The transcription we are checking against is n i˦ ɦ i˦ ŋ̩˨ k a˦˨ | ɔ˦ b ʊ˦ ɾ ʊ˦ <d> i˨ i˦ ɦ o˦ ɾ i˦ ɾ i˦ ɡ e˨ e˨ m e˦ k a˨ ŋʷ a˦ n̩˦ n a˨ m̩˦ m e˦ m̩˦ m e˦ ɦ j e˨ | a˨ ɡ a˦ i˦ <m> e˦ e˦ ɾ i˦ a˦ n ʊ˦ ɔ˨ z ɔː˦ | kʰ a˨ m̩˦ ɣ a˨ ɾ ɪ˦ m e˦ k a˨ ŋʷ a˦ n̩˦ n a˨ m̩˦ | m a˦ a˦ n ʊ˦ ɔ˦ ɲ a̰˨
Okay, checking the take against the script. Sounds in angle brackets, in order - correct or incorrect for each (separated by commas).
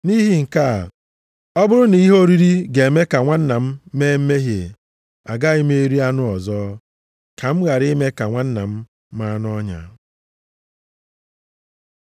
incorrect, correct